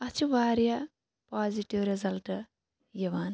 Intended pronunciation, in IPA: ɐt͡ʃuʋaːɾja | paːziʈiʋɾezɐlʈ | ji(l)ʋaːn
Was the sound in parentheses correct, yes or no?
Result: no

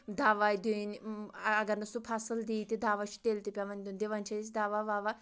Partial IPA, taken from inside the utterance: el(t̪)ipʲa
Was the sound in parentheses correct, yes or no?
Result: yes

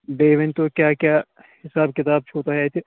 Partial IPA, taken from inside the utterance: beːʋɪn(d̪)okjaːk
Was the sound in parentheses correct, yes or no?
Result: no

